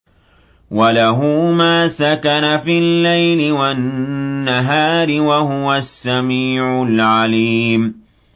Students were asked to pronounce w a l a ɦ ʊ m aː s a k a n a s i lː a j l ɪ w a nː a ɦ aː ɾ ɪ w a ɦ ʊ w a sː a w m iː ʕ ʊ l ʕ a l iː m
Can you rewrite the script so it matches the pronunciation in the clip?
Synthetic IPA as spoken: w a l a ɦ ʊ m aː s a k a n a f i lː a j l ɪ w a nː a ɦ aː ɾ ɪ w a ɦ ʊ w a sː a m iː ʕ ʊ l ʕ a l iː m